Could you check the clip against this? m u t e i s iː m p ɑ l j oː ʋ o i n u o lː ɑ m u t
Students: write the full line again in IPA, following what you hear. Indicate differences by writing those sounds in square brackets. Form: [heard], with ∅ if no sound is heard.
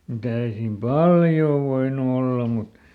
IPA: m u t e i s iː m p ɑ l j oː ʋ o i n u o lː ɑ m u t